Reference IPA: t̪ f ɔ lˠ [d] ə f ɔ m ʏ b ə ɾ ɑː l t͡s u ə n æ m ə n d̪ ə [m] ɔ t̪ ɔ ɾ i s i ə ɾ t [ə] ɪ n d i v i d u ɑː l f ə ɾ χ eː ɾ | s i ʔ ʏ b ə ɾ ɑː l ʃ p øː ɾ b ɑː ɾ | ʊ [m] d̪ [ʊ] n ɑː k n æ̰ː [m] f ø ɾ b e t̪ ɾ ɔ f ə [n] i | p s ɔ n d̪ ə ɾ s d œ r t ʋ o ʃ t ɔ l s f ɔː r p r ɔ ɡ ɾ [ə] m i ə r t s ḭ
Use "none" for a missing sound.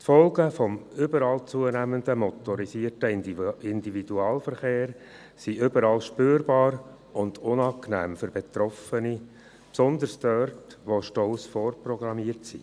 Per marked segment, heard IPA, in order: ɡ, m, ə, n, ʊ, m, n, ɑ

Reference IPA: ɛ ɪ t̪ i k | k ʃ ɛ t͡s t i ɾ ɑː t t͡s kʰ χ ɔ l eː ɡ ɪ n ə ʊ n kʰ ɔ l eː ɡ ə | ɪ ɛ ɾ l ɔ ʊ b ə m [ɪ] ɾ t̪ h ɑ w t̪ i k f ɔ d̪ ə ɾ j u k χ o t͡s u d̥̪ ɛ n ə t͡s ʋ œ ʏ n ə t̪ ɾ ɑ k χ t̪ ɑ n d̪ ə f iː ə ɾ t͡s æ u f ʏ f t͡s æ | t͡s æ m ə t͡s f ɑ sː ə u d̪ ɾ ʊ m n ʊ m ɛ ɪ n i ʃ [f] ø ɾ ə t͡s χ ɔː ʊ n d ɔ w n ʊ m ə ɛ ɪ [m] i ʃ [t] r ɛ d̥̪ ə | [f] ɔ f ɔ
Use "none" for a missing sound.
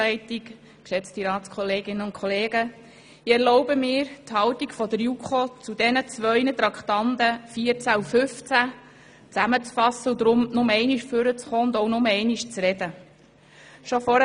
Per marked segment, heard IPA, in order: ɪː, f, n, t͡s, ʃ

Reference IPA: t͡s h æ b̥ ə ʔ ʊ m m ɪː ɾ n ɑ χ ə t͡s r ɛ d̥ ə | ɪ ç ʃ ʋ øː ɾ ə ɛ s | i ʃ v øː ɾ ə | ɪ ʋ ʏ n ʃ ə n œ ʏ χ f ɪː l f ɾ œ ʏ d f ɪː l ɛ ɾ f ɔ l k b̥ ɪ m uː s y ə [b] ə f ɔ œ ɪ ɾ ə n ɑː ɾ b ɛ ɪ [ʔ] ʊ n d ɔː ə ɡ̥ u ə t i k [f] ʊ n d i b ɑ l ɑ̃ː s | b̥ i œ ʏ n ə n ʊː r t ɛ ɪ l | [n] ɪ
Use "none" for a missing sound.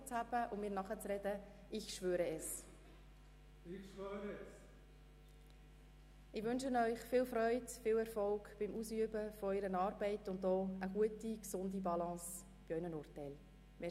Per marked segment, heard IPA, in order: b, t, s, m

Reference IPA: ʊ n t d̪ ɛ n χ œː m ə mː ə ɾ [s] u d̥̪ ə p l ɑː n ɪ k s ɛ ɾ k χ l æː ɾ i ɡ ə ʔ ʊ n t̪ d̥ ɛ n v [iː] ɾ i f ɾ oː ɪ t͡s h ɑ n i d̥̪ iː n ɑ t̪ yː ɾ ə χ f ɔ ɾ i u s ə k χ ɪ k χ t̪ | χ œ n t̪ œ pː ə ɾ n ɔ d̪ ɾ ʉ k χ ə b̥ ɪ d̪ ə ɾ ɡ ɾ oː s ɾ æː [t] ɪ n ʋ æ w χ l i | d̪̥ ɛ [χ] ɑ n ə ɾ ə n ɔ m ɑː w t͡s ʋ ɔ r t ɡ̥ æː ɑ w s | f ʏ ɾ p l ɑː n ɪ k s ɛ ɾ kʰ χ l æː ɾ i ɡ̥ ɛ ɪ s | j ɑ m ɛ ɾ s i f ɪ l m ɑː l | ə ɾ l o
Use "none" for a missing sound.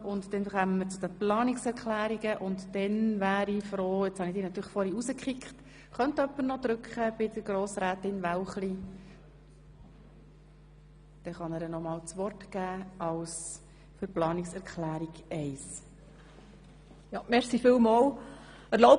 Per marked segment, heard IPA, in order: t͡s, æː, t, χ

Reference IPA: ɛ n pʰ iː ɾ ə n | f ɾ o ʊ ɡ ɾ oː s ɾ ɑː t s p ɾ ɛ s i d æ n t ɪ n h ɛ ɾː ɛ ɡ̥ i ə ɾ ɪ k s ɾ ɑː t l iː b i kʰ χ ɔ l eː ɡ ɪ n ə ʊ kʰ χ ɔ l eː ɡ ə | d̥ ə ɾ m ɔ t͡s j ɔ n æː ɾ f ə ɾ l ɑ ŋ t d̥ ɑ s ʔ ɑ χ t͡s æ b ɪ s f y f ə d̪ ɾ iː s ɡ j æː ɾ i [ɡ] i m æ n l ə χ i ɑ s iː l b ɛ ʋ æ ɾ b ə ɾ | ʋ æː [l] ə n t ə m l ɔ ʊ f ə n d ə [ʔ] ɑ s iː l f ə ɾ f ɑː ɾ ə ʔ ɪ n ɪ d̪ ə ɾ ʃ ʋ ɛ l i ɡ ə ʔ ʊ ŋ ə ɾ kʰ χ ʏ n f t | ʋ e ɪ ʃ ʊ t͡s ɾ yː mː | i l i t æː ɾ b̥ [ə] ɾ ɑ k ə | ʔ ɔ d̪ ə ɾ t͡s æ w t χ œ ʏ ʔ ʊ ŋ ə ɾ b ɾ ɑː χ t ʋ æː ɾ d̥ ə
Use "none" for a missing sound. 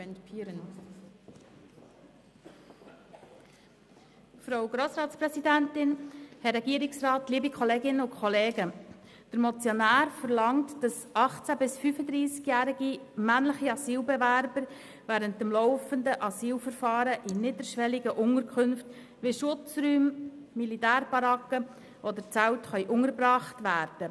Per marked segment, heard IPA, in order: ɡ, ɾ, ʔ, ɑ

